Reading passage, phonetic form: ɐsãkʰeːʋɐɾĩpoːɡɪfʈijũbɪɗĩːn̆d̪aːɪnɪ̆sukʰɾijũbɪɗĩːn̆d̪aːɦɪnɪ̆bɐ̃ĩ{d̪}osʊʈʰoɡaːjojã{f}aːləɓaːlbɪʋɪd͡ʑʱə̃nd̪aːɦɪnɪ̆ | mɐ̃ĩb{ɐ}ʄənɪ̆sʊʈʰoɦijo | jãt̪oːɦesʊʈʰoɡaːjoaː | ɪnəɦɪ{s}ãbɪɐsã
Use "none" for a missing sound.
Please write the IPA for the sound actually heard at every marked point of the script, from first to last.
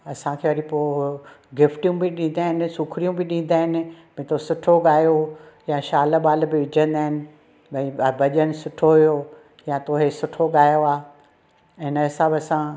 t̪, ʃ, ɐ, s

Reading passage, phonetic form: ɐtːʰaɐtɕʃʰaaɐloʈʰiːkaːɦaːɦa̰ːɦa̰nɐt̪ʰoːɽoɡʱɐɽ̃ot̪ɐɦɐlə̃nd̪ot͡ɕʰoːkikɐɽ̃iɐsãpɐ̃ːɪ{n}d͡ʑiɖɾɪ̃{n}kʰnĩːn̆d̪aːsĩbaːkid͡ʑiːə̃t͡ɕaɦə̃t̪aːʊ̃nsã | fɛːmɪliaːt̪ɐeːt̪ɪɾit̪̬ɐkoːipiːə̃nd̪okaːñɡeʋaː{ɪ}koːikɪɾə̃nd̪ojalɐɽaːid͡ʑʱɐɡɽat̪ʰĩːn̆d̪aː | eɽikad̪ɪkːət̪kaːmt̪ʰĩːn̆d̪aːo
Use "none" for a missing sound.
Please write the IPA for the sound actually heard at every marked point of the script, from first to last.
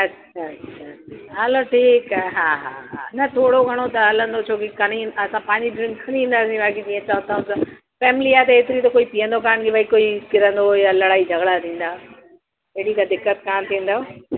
ɲ, ŋ, i

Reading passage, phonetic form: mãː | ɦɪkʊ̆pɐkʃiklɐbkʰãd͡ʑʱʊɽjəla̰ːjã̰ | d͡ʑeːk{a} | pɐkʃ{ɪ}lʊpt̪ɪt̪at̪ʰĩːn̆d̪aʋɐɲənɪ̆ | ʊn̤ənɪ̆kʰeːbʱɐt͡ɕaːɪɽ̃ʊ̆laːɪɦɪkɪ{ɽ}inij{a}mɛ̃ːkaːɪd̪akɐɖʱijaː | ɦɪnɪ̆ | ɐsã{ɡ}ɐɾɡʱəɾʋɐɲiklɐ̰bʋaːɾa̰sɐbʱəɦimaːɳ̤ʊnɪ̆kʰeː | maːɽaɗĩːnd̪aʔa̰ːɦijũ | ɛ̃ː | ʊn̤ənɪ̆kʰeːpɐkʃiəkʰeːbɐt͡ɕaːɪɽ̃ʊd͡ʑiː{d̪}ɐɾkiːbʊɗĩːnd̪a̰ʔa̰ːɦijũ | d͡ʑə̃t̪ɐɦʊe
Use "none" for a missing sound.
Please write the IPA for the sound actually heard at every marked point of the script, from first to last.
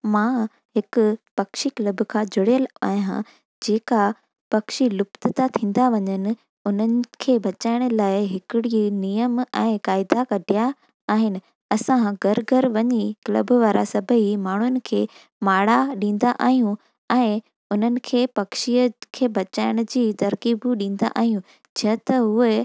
a, i, ɽ, ə, ɡ, t̪

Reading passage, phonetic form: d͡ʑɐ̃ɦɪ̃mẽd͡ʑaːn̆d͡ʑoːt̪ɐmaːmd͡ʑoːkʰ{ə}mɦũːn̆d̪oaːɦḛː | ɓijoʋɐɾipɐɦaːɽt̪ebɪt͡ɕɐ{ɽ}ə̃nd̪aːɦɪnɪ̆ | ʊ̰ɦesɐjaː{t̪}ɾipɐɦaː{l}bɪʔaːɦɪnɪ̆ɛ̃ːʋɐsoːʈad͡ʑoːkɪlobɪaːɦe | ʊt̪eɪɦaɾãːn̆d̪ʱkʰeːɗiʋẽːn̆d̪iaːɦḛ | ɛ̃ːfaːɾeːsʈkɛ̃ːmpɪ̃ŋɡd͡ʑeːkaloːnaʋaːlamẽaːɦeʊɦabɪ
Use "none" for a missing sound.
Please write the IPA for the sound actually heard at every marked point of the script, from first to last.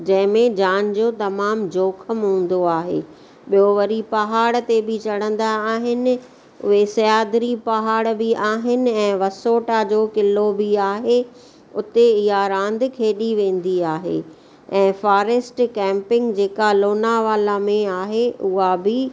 ə, ɽ, d̪, ɽ

